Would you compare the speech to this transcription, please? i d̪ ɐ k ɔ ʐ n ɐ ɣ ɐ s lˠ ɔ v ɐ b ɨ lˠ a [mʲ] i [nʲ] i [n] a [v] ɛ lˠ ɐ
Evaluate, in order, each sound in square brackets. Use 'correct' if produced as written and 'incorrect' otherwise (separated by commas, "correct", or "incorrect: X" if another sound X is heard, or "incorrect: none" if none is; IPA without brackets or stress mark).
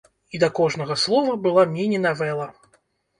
correct, correct, correct, correct